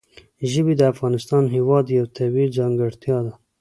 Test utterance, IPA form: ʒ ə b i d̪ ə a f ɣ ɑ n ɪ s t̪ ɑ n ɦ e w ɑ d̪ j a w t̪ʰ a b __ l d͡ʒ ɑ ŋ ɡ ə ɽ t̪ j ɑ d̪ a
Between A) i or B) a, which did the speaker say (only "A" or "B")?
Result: A